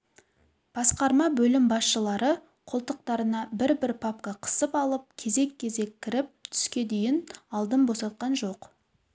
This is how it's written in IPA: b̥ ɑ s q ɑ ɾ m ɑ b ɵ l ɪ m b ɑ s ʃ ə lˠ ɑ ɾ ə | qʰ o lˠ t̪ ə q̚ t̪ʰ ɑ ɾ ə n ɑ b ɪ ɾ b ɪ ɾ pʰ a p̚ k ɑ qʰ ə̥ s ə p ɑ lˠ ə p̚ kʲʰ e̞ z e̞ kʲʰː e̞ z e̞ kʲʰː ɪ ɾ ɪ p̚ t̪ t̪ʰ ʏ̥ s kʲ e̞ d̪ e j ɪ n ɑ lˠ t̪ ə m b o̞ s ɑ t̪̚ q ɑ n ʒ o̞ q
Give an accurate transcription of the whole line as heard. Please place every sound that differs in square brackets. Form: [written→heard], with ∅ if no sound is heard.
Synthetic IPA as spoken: b̥ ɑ s q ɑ ɾ m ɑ b ɵ l ɪ m b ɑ s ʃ ə lˠ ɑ ɾ ə | qʰ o lˠ t̪ ə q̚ [t̪ʰ→t̪] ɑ ɾ ə n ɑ b ɪ ɾ b ɪ ɾ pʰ a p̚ k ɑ qʰ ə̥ s ə p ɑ lˠ ə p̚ kʲʰ e̞ z e̞ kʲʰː e̞ z e̞ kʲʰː ɪ ɾ ɪ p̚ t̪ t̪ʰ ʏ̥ s kʲ e̞ d̪ e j ɪ n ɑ lˠ [t̪→d̪] ə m b o̞ s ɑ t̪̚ q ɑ n ʒ o̞ q

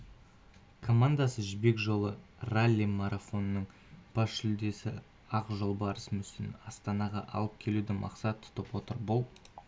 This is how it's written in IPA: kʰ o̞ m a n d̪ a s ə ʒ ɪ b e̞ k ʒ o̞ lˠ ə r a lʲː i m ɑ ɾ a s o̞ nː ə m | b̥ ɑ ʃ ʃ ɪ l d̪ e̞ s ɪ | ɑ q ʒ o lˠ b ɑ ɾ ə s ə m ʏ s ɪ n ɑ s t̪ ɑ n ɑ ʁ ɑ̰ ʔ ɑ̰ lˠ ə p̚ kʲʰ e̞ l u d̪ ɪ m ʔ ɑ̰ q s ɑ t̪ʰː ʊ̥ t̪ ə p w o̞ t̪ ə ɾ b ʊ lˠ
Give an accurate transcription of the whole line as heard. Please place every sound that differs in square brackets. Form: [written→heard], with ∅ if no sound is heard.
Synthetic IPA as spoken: kʰ o̞ m a n d̪ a s ə ʒ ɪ b e̞ k ʒ o̞ lˠ ə r a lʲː i m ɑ ɾ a [s→f] o̞ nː ə [m→ɴ] | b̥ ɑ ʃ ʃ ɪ l d̪ e̞ s ɪ | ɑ q ʒ o lˠ b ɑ ɾ ə s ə m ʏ s ɪ n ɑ s t̪ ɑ n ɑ ʁ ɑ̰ ʔ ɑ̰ lˠ ə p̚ kʲʰ e̞ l u d̪ ɪ m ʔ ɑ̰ q s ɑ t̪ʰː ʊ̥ t̪ ə p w o̞ t̪ ə ɾ b ʊ lˠ

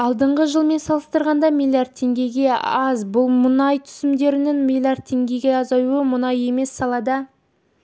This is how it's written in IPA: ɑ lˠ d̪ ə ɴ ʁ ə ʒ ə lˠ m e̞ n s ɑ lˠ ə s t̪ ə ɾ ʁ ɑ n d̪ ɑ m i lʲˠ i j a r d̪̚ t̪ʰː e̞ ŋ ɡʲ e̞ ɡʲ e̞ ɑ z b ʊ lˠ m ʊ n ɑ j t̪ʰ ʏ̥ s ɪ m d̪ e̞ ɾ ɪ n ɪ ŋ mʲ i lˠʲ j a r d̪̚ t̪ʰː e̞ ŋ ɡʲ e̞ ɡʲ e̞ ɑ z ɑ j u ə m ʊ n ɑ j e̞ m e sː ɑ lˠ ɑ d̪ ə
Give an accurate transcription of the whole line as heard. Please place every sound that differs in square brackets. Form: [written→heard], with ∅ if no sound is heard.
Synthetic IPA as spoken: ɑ lˠ d̪ ə ɴ ʁ ə ʒ ə lˠ m e̞ n s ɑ lˠ ə s t̪ ə ɾ ʁ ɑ n d̪ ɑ m i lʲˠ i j a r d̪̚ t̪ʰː e̞ ŋ ɡʲ e̞ ɡʲ e̞ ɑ z b ʊ lˠ m ʊ n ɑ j t̪ʰ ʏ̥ s ɪ m d̪ e̞ ɾ ɪ n ɪ ŋ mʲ i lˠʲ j a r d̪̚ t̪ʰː e̞ ŋ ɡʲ e̞ ɡʲ e̞ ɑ z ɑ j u ə m ʊ n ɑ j e̞ m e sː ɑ lˠ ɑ d̪ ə

